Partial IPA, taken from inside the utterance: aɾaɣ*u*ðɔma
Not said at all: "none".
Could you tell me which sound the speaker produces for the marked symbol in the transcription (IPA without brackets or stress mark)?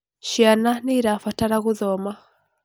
u